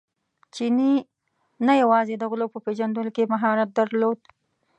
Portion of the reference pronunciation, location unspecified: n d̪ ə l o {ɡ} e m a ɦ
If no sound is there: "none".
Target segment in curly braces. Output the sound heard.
k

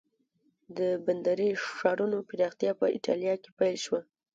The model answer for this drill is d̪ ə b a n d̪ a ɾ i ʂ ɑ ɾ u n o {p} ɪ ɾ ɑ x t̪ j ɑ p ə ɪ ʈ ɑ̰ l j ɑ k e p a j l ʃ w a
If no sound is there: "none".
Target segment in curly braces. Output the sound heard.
p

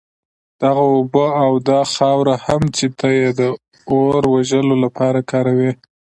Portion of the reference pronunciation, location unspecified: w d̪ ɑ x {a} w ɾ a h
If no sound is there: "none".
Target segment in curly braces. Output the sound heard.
ɑ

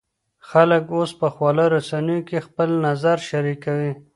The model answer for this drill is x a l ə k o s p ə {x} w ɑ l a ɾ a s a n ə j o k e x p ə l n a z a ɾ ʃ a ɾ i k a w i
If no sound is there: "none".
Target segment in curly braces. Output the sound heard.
x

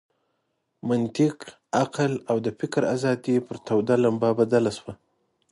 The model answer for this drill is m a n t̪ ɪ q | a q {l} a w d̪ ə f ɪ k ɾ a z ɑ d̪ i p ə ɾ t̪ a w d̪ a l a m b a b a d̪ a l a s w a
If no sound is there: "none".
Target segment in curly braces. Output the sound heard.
l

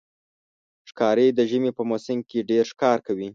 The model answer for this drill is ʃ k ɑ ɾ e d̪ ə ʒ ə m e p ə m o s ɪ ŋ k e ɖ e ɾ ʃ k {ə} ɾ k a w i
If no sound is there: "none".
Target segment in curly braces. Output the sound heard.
ɑ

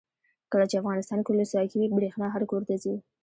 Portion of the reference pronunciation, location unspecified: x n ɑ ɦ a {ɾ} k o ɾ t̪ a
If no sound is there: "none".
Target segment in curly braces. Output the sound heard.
ɾ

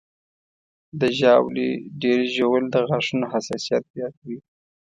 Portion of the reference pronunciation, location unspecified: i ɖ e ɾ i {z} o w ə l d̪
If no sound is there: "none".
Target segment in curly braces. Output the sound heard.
ʒ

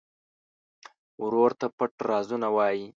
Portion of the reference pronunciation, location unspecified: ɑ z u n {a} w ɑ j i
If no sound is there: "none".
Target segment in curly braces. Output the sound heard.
a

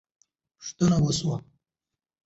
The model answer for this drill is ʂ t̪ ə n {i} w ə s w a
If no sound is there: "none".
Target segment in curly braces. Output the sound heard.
a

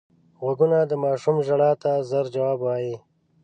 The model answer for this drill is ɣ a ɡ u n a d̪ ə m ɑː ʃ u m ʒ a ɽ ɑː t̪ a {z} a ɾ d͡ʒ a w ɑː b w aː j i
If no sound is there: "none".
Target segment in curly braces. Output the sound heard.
z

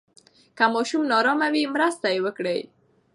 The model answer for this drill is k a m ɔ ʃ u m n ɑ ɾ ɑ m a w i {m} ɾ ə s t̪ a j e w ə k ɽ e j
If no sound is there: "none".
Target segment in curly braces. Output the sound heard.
m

